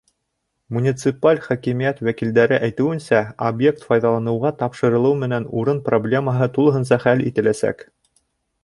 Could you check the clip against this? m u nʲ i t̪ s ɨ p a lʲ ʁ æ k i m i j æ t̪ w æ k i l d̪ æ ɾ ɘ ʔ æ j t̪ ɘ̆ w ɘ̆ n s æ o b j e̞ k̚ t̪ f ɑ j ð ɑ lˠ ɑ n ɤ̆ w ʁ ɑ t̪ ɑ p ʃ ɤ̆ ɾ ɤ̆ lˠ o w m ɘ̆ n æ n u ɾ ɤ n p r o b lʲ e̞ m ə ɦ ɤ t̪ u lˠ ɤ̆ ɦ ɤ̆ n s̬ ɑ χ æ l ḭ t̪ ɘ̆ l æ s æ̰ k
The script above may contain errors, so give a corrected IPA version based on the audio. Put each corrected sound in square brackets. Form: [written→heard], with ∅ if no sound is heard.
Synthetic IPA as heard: m u nʲ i t̪ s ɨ p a lʲ [ʁ→χ] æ k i m i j æ t̪ w æ k i l d̪ æ ɾ ɘ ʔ æ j t̪ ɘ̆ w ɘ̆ n s æ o b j e̞ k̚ t̪ f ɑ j ð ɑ lˠ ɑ n ɤ̆ w ʁ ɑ t̪ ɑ p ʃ ɤ̆ ɾ ɤ̆ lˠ [o→ɤ] w m ɘ̆ n æ n u ɾ ɤ n p r o b lʲ e̞ m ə ɦ ɤ t̪ u lˠ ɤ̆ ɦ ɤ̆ n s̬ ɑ χ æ l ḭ t̪ ɘ̆ l æ s æ̰ k